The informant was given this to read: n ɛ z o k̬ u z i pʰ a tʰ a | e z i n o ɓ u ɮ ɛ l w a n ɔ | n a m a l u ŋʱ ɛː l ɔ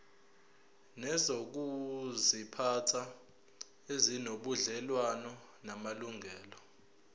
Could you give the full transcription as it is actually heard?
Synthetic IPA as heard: n ɛ z o k̬ u z i pʰ a tʰ a | e z i n o ɓ u ɮ ɛ l w a n ɔ | n a m a l u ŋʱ ɛː l ɔ